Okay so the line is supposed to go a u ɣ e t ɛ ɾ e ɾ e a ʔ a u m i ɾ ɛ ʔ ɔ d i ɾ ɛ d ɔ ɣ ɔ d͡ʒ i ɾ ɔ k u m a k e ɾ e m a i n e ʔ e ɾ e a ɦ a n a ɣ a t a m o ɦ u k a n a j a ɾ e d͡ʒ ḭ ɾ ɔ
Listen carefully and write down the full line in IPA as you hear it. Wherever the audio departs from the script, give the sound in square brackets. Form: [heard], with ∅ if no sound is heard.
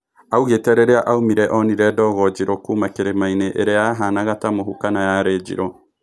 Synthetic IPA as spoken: a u ɣ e t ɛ ɾ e ɾ e a ʔ a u m i ɾ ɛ ʔ ɔ [n] i ɾ ɛ d ɔ ɣ ɔ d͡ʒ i ɾ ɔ k u m a k e ɾ e m a i n e ʔ e ɾ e a ɦ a n a ɣ a t a m o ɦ u k a n a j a ɾ e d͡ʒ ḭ ɾ ɔ